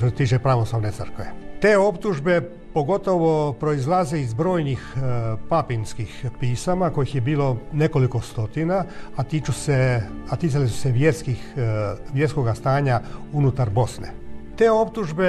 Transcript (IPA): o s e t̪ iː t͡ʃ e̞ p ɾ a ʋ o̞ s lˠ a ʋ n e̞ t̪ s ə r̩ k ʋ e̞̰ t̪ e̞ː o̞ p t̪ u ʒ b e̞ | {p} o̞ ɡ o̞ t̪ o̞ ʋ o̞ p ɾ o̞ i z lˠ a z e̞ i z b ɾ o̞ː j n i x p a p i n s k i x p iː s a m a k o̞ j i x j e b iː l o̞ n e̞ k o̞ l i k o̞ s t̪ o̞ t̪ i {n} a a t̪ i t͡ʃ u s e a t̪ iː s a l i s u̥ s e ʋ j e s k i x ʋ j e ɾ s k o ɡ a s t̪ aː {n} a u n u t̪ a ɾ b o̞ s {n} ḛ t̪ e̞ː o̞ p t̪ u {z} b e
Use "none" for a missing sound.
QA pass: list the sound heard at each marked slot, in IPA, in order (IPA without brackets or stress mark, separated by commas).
p, n, ɲ, n, ʒ